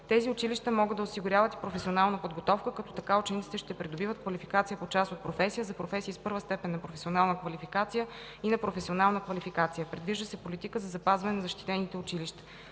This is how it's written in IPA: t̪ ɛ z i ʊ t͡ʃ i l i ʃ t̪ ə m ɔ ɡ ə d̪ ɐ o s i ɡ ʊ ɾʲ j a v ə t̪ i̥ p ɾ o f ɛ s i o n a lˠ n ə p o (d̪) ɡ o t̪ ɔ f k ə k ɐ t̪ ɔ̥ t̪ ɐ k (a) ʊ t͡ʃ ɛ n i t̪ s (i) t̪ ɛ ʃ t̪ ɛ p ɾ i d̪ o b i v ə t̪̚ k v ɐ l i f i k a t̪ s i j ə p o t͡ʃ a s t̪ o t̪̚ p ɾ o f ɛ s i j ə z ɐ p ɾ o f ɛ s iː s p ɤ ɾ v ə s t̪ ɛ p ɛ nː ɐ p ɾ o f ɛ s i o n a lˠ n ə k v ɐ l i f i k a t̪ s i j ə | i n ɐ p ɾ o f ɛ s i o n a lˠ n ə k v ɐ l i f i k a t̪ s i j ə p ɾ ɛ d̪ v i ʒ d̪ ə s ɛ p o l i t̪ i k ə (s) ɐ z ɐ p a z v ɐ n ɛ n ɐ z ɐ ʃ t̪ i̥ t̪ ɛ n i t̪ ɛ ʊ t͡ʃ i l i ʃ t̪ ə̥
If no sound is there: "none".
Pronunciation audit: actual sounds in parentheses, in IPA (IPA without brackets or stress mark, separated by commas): d̪, a, i, z